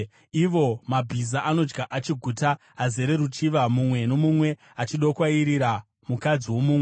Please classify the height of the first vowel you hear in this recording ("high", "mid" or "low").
high